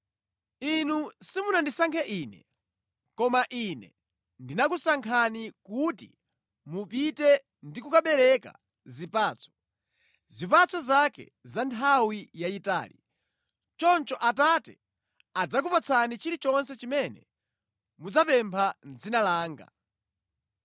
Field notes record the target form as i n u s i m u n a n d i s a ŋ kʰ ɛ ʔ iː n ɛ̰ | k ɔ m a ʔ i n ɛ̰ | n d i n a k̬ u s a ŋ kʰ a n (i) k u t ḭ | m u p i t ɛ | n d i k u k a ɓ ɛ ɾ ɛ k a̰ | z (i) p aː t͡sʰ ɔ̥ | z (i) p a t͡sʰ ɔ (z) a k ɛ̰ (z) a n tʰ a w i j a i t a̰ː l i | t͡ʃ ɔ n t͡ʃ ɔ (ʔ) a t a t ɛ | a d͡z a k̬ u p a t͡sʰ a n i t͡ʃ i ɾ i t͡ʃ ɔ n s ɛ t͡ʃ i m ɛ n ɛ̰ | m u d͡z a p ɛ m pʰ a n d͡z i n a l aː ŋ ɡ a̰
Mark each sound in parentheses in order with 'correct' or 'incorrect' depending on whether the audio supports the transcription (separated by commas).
correct, correct, correct, correct, correct, correct